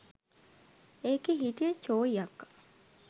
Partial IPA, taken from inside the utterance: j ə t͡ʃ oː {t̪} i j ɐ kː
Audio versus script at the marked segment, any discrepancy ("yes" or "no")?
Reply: yes